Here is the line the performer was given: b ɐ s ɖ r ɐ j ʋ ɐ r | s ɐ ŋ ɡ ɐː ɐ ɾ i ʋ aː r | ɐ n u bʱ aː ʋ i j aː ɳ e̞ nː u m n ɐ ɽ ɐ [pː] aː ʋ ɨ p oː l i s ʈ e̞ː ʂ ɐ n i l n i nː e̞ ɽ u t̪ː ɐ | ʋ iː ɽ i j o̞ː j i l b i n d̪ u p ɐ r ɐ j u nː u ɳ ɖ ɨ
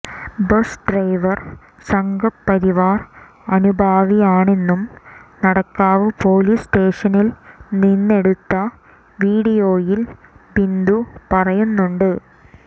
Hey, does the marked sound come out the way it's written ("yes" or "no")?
no